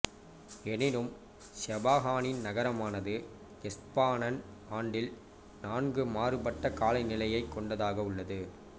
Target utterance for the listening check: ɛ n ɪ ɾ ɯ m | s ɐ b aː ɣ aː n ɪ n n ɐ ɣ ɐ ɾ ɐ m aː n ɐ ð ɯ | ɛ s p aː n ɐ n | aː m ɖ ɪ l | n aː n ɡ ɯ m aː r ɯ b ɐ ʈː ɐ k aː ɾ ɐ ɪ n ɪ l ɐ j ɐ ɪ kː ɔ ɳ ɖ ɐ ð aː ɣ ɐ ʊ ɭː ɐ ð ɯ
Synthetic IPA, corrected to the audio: ɛ n ɪ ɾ ɯ m | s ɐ b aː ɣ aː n ɪ n n ɐ ɣ ɐ ɾ ɐ m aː n ɐ ð ɯ | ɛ s p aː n ɐ n | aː ɳ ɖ ɪ l | n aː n ɡ ɯ m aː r ɯ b ɐ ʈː ɐ k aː l ɐ ɪ n ɪ l ɐ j ɐ ɪ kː ɔ ɳ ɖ ɐ ð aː ɣ ɐ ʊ ɭː ɐ ð ɯ